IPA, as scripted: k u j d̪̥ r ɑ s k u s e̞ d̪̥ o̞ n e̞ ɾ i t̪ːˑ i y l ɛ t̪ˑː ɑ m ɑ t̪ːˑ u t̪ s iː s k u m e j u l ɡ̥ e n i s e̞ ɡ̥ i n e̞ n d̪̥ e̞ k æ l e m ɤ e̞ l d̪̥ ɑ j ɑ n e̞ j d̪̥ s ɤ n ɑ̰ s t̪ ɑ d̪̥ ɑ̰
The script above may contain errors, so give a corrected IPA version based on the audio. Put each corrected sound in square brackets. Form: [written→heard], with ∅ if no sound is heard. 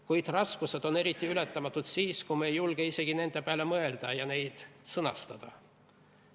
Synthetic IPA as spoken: k u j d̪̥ r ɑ s k u s e̞ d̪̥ o̞ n e̞ ɾ i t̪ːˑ i y l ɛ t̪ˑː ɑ m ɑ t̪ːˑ u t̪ s iː s k u m e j u l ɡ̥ e [n→∅] i s e̞ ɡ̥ i n e̞ n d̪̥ e̞ [k→p] æ l e m ɤ e̞ l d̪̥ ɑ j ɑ n e̞ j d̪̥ s ɤ n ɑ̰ s t̪ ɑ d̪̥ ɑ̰